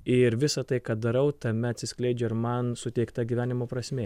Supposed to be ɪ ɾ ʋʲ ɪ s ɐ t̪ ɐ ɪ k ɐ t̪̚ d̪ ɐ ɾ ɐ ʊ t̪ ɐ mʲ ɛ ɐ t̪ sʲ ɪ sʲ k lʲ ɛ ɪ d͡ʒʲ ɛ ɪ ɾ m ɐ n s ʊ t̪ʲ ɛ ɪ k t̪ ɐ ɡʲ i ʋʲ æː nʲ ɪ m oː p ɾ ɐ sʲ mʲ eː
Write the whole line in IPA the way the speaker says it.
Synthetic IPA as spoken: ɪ ɾ ʋʲ ɪ s ɐ t̪ ɐ ɪ k ɐ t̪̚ d̪ ɐ ɾ ɐ ʊ t̪ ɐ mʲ ɛ ɐ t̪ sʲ ɪ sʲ k lʲ ɛ ɪ d͡ʒʲ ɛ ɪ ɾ m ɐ n s ʊ t̪ʲ ɛ ɪ k t̪ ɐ ɡʲ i ʋʲ æː nʲ ɪ m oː p ɾ ɐ sʲ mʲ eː